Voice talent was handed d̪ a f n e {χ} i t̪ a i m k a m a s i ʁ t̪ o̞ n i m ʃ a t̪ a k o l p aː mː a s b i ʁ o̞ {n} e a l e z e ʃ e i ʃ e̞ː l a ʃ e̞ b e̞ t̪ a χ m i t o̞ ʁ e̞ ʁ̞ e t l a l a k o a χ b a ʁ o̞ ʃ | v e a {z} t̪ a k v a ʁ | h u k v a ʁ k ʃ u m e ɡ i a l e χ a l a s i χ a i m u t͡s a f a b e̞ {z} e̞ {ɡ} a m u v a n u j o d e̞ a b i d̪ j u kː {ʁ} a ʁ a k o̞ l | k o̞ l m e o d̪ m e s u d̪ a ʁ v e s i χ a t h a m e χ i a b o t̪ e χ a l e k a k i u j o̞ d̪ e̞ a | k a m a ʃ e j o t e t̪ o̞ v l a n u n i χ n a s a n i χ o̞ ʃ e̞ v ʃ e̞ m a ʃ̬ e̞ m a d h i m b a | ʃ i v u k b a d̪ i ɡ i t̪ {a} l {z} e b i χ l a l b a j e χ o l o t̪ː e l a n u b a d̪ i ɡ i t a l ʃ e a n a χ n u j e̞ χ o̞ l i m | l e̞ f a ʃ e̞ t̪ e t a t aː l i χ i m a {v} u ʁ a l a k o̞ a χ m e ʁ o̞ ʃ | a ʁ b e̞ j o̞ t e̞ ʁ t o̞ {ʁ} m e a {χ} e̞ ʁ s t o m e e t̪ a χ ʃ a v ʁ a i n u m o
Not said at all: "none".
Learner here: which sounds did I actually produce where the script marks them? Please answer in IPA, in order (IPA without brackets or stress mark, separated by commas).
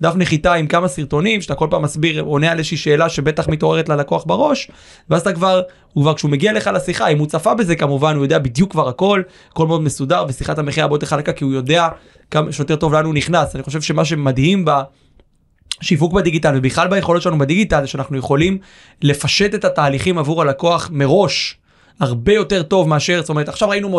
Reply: χ, n, z, z, k, v, a, v, v, v, ʃ